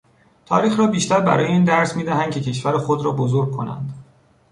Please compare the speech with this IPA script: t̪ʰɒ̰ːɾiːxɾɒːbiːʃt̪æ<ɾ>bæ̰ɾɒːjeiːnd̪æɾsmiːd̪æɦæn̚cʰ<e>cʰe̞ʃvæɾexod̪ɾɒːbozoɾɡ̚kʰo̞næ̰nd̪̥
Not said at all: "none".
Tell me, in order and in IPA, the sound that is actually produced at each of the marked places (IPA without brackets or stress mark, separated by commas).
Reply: ɾ, e